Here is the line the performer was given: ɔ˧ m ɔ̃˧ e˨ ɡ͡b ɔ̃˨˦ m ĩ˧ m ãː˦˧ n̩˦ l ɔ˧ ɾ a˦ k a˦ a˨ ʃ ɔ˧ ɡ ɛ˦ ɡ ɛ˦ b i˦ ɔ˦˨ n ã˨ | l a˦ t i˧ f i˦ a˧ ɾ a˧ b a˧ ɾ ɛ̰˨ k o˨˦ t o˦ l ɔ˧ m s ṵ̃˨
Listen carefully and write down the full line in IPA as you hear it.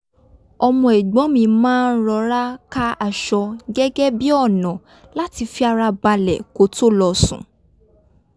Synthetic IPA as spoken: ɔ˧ m ɔ̃˧ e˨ ɡ͡b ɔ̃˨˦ m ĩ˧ m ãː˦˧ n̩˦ ɾ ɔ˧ ɾ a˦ k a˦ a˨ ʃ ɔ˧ ɡ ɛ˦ ɡ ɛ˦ b i˦ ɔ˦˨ n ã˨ | l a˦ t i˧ f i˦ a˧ ɾ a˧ b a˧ l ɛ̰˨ k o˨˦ t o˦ l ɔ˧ s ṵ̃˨